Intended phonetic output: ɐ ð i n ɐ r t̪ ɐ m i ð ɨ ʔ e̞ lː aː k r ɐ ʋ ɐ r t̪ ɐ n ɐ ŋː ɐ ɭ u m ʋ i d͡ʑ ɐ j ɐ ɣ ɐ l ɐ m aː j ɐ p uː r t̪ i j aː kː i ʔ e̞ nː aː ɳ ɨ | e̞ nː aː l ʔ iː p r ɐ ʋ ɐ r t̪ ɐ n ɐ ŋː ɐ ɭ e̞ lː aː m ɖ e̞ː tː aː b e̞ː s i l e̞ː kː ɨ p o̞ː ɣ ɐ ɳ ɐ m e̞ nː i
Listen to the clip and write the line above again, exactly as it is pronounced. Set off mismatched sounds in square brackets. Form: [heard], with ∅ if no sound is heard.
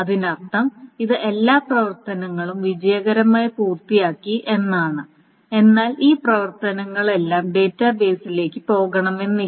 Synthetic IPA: ɐ ð i n ɐ r t̪ ɐ m i ð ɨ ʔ e̞ lː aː [p] r ɐ ʋ ɐ r t̪ ɐ n ɐ ŋː ɐ ɭ u m ʋ i d͡ʑ ɐ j ɐ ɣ ɐ [ɾ] ɐ m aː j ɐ p uː r t̪ i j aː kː i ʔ e̞ nː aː ɳ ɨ | e̞ nː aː l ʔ iː p r ɐ ʋ ɐ r t̪ ɐ n ɐ ŋː ɐ ɭ e̞ lː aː m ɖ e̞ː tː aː b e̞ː s i l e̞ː kː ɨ p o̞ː ɣ ɐ ɳ ɐ m e̞ nː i